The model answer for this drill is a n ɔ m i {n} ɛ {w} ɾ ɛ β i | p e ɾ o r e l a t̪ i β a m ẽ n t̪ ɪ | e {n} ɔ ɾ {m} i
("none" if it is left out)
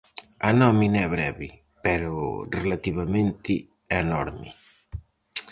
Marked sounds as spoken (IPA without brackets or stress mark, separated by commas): n, β, n, m